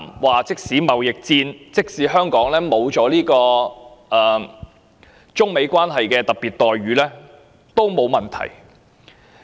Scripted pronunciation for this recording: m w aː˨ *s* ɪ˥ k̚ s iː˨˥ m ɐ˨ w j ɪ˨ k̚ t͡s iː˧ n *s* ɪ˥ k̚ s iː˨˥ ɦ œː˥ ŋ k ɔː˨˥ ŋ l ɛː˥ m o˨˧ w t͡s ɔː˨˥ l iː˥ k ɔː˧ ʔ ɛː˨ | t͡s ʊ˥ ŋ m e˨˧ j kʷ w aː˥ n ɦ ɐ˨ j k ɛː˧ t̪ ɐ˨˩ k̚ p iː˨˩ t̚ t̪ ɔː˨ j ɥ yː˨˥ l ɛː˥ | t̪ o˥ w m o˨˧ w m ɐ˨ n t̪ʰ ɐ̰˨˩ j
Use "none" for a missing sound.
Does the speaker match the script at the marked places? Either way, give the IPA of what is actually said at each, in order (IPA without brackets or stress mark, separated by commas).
t͡s, t͡s